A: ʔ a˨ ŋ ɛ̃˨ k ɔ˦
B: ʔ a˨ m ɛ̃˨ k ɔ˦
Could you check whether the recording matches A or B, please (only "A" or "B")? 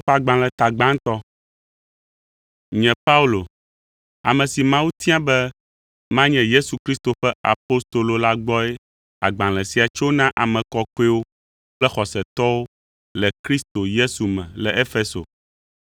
B